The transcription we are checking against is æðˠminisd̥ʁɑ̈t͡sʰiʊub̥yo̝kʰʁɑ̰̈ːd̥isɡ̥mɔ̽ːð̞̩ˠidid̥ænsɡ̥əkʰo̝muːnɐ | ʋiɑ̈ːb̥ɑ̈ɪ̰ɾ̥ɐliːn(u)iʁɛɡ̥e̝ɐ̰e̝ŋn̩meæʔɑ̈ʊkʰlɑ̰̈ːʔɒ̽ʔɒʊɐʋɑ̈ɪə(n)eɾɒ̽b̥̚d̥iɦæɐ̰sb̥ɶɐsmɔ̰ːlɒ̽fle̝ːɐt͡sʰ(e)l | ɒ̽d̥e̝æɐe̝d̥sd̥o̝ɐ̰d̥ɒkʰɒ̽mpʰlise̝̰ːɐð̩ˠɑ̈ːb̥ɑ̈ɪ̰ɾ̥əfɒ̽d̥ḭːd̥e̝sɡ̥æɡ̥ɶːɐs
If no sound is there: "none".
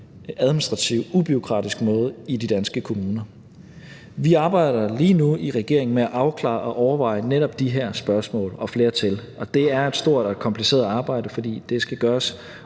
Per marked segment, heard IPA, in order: u, n, e

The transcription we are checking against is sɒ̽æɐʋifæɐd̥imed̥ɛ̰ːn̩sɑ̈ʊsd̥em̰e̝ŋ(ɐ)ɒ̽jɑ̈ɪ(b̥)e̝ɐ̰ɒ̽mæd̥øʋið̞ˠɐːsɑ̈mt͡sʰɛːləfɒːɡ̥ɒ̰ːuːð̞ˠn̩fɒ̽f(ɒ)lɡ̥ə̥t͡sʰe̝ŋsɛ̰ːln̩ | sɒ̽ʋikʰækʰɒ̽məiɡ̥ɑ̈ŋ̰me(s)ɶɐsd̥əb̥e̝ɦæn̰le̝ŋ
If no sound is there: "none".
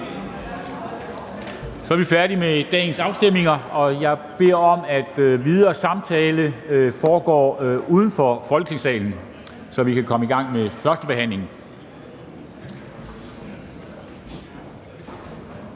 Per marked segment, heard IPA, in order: ɐ, b̥, ɒ, f

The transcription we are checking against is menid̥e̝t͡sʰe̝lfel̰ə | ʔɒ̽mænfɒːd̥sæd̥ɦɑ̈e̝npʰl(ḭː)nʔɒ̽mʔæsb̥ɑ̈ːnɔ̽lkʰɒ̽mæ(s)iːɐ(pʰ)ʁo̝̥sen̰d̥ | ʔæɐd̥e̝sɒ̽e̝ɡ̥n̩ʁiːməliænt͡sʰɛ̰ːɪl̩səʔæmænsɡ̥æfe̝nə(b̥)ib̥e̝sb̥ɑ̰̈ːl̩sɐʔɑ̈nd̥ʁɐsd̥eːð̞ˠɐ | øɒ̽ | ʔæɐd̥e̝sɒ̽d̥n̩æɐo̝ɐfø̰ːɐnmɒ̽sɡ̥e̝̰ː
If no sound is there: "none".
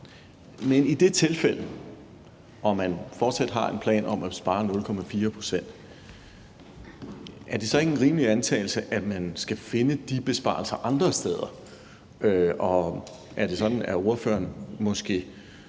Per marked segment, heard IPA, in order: ɛ̰ː, f, pʰ, d̥

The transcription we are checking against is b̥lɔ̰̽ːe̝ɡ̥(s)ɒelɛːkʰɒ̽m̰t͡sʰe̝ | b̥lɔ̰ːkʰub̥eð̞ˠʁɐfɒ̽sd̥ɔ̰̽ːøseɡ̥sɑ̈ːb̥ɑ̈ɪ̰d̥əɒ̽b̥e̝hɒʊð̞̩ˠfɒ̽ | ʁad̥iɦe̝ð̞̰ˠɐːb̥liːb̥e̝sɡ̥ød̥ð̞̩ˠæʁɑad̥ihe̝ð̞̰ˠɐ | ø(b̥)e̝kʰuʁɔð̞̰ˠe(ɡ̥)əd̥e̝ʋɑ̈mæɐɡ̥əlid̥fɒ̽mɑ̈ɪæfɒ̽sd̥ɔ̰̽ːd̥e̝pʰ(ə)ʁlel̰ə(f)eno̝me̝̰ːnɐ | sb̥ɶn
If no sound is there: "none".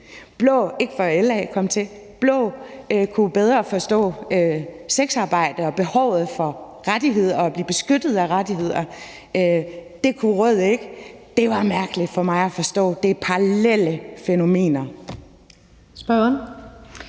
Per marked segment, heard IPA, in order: f, d̥, ɡ̥, ɑ, f

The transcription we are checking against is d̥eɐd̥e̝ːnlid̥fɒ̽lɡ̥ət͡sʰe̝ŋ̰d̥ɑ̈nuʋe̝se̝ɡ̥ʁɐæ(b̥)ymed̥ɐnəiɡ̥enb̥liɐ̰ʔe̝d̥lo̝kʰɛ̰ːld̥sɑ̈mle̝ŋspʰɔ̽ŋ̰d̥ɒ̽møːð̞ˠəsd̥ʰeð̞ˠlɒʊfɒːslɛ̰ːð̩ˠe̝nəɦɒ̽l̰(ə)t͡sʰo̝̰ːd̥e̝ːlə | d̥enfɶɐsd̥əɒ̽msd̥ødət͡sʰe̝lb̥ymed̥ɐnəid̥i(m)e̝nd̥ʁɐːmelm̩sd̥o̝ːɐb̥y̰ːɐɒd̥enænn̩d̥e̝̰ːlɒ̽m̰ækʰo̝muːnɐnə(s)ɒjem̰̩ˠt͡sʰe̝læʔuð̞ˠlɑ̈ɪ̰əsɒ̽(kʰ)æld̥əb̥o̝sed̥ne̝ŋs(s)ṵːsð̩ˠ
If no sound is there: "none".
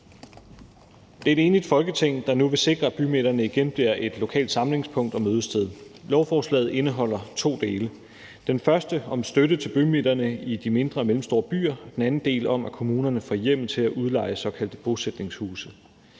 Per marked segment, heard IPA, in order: b̥, ɐ, m, f, kʰ, h

